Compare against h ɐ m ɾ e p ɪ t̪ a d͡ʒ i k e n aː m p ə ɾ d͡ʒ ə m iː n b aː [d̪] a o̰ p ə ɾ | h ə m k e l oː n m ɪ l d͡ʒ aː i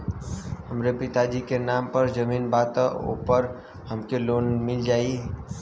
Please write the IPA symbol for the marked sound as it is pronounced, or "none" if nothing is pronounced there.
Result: t̪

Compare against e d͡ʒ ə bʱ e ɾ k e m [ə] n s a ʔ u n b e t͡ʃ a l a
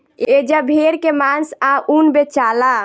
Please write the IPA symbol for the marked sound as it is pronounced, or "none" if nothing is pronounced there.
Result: a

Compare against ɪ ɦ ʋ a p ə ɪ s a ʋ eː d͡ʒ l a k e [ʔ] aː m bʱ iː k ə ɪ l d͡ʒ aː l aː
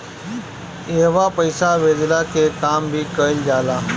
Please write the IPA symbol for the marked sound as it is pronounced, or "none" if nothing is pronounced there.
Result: k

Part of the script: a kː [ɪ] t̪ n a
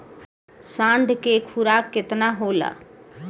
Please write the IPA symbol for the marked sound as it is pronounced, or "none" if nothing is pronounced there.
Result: ɪ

